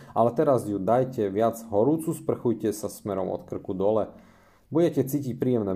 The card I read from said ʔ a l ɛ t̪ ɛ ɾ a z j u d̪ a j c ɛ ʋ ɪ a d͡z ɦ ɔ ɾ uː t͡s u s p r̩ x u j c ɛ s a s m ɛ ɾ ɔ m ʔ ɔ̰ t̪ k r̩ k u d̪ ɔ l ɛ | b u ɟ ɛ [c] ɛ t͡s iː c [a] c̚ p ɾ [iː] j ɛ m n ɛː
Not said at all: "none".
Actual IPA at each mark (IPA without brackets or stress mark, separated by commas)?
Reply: c, i, iː